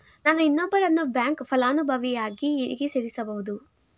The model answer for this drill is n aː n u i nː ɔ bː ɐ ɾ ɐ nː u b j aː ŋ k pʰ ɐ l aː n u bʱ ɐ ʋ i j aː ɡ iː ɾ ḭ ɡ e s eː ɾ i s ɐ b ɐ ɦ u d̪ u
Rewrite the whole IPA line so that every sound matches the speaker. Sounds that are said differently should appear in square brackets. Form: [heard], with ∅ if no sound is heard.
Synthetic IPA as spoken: n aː n u i nː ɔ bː ɐ ɾ ɐ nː u b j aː ŋ k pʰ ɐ l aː n u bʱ ɐ ʋ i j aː ɡ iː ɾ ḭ ɡ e s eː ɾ i s ɐ b ɐ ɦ u d̪ u